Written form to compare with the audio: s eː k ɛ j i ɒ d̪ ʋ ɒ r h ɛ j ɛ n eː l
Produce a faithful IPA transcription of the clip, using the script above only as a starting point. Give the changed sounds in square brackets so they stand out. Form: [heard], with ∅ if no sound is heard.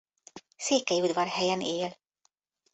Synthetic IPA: s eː k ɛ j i [u] d̪ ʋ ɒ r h ɛ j ɛ n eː l